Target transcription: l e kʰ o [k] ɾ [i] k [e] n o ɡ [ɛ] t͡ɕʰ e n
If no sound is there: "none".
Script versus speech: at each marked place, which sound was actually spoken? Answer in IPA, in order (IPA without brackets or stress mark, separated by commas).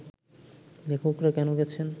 k, a, ɛ, ɛ